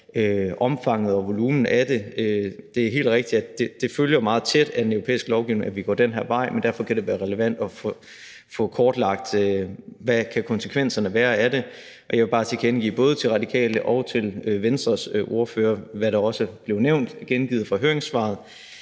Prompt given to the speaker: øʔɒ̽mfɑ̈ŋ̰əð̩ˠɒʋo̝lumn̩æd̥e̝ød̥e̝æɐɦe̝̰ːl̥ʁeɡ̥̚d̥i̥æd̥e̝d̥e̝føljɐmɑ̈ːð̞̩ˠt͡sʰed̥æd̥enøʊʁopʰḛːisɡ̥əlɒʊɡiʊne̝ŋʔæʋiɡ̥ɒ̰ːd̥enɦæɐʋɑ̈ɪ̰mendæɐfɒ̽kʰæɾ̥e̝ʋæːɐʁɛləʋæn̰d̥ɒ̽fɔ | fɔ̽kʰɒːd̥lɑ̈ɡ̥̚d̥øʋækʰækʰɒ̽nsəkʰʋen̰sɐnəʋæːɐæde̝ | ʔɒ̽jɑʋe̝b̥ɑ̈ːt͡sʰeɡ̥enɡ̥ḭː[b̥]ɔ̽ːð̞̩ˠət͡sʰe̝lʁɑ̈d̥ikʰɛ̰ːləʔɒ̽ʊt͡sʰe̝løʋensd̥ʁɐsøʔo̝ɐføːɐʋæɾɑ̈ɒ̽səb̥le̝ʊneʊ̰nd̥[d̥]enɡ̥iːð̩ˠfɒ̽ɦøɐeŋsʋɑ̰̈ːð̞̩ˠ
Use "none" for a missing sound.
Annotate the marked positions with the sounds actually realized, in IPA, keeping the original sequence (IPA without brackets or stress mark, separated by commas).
b̥, ɡ̥